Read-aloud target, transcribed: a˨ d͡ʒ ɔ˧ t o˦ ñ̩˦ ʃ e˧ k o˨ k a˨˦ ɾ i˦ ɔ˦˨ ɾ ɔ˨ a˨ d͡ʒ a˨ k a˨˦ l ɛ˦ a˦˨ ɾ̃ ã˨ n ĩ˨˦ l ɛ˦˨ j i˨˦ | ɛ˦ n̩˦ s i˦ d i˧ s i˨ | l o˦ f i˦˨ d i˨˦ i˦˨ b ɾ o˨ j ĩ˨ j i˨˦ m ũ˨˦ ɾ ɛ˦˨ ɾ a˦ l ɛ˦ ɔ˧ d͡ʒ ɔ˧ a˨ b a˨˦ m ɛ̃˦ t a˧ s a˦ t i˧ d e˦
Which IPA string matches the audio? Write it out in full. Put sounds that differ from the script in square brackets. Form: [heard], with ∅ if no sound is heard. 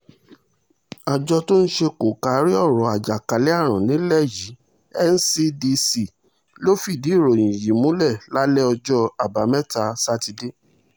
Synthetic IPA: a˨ d͡ʒ ɔ˧ t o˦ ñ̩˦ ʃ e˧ k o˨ k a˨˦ ɾ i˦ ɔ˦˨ ɾ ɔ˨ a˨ d͡ʒ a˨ k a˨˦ l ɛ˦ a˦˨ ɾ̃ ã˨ n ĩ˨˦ l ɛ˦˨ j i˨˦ | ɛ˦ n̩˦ s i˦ d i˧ s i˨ | l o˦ f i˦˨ d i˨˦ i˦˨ [∅] ɾ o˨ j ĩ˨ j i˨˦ m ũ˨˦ [l] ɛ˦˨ [l] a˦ l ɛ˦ ɔ˧ d͡ʒ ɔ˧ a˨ b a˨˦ m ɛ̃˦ t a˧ s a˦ t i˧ d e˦